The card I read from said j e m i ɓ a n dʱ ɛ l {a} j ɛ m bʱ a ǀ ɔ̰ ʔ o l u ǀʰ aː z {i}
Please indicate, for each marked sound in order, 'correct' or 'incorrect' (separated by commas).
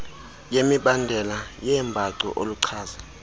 correct, incorrect